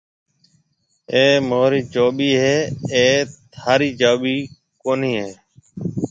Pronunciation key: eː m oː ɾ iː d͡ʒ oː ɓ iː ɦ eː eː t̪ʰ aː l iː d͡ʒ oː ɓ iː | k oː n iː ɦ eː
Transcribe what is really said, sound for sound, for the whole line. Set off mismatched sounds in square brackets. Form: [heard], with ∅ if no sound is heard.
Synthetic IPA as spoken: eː m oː ɾ iː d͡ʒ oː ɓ iː ɦ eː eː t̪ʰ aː [ɾ] iː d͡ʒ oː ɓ iː | k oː n iː ɦ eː